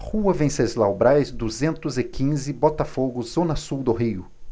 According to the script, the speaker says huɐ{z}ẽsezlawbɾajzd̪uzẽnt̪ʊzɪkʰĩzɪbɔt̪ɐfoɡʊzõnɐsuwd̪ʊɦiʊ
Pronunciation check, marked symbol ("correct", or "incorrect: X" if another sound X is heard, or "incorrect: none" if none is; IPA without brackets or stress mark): incorrect: v